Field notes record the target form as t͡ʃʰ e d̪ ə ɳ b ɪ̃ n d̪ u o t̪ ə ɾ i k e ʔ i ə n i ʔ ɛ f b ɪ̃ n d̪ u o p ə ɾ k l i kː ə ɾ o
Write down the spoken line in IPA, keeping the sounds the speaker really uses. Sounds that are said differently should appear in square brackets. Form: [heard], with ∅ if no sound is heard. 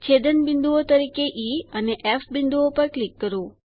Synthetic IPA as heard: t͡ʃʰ e d̪ ə [n] b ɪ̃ n d̪ u o t̪ ə ɾ i k e ʔ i ə n [e] ʔ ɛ f b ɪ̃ n d̪ u o p ə ɾ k l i kː ə ɾ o